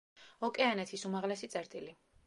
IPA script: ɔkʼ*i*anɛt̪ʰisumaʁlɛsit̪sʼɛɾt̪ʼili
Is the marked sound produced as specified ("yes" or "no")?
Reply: no